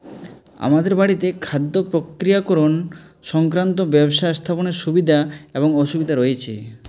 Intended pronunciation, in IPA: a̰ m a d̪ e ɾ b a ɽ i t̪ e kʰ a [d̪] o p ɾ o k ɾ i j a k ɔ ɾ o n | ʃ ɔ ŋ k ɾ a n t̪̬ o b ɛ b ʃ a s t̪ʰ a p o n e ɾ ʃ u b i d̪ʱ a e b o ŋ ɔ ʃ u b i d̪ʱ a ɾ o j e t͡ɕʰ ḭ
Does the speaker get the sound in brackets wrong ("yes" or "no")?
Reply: yes